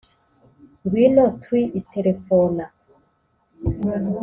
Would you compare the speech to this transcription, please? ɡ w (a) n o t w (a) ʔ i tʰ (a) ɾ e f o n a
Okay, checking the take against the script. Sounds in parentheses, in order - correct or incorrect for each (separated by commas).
incorrect, incorrect, incorrect